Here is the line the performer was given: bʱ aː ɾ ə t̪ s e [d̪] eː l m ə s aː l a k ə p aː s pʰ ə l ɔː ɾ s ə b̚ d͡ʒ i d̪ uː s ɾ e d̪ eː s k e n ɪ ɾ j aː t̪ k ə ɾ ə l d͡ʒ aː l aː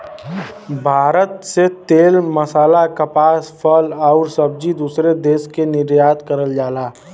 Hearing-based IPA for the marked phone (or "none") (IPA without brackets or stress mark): t̪